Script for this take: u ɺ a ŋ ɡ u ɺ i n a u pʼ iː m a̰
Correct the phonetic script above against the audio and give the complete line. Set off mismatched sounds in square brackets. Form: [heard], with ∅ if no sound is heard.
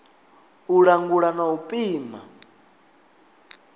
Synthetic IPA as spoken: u ɺ a ŋ ɡ u ɺ [a] n a u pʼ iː m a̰